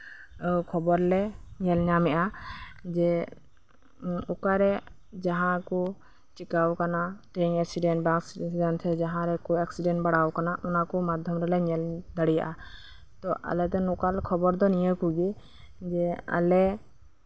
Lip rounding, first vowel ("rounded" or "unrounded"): rounded